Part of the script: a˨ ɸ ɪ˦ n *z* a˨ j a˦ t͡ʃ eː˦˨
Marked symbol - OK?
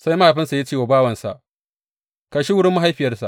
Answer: no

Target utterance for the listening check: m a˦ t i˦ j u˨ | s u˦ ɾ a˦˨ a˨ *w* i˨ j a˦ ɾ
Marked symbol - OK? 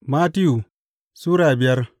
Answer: no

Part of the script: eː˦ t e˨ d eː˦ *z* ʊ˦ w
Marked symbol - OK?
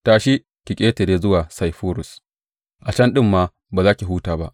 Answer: yes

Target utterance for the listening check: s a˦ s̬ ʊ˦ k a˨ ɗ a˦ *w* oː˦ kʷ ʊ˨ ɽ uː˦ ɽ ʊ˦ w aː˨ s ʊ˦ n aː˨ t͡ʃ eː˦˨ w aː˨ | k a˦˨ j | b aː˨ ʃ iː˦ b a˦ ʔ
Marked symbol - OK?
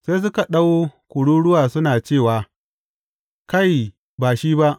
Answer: yes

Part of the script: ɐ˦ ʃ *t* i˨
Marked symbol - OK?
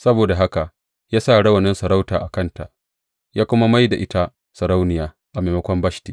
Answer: yes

